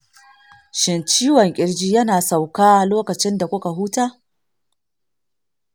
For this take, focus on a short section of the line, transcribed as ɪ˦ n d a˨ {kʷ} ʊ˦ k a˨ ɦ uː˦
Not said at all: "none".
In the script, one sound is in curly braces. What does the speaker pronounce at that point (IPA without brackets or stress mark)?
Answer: kʷ